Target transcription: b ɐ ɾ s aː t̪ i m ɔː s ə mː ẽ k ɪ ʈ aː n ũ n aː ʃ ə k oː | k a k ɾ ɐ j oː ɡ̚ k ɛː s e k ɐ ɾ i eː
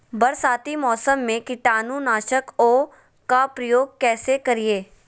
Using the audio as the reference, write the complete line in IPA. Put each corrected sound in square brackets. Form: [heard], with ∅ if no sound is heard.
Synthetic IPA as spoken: b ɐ ɾ s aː t̪ i m ɔː s ə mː ẽ k ɪ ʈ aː n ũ n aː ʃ ə k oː | k a [p] ɾ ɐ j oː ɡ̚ k ɛː s e k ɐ ɾ i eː